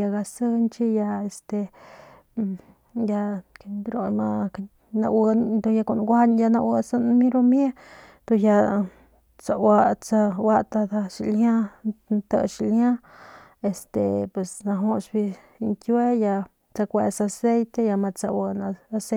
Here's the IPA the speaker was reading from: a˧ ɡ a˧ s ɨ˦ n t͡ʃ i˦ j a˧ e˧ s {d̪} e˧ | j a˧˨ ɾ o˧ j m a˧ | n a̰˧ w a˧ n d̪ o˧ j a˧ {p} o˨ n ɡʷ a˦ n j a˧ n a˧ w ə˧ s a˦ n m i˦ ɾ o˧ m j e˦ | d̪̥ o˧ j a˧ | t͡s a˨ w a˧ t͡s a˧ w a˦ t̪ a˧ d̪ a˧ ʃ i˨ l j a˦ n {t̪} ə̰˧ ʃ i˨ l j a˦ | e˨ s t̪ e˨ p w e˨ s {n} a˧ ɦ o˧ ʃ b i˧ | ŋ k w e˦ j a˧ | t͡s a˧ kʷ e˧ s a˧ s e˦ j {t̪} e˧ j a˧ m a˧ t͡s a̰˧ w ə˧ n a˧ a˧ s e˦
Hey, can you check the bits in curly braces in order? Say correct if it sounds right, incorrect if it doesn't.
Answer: incorrect, incorrect, correct, correct, correct

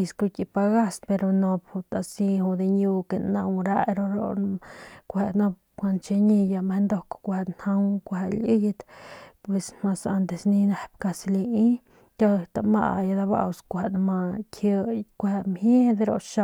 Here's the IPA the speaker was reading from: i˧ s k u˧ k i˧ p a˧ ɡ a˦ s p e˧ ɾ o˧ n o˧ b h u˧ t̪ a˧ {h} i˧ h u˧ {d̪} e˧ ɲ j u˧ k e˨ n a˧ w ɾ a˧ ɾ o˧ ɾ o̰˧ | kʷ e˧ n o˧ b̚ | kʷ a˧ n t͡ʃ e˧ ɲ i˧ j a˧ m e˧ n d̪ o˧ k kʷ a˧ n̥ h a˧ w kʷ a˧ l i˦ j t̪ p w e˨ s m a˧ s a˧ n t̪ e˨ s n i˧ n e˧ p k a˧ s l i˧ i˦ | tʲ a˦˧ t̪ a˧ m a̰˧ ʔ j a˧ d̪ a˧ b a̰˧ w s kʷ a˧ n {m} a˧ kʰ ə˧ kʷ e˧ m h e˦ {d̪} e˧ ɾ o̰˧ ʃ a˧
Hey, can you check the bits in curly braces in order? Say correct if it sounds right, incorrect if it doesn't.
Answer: incorrect, correct, correct, correct

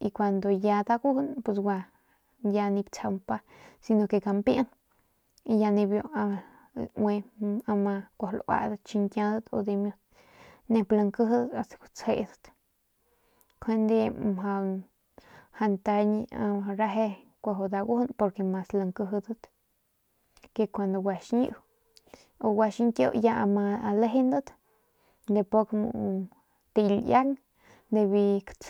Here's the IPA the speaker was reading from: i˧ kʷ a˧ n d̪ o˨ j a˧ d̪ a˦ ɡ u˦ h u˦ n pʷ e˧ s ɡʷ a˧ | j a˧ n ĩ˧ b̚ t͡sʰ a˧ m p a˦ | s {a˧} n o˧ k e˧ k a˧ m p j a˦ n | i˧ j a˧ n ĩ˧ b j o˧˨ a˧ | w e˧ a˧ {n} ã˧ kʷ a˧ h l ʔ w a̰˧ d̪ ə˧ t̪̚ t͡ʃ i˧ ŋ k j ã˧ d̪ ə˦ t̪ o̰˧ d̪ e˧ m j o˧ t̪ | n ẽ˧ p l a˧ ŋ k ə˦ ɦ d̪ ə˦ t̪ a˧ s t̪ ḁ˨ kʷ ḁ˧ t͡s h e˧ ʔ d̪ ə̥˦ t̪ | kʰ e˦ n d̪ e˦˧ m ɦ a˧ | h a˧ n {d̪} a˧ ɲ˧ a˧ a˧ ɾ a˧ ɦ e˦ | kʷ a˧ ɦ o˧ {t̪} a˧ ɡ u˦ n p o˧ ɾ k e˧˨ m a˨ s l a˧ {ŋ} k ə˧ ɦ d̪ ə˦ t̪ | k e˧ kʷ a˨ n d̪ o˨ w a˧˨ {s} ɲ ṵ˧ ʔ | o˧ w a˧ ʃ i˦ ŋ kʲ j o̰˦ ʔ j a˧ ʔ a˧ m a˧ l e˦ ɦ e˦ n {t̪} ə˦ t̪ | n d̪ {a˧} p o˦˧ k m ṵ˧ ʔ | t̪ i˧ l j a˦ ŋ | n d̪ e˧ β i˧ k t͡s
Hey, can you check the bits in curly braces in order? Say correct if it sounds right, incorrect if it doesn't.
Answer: incorrect, incorrect, incorrect, incorrect, correct, incorrect, incorrect, incorrect

